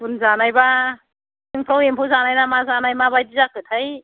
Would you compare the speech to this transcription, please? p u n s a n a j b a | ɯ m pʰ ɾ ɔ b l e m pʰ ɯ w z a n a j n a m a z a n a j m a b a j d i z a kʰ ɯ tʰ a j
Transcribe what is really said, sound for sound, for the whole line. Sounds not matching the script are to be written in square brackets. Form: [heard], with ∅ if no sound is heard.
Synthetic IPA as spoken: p u n [z] a n a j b a | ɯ [ŋ] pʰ ɾ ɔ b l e m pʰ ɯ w z a n a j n a m a z a n a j m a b a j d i z a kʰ ɯ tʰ a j